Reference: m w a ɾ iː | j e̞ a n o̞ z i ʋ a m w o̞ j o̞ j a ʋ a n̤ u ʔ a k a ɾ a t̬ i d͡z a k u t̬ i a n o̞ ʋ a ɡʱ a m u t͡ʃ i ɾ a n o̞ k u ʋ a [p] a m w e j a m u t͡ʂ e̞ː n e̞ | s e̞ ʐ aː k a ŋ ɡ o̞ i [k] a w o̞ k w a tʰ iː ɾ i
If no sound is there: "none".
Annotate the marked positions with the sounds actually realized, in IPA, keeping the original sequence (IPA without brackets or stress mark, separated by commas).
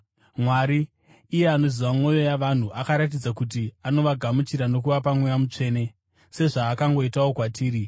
p, t